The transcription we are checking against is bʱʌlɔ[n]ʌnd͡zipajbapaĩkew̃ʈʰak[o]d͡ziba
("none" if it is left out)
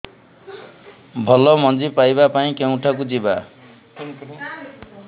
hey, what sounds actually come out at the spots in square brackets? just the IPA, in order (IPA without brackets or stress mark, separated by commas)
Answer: m, u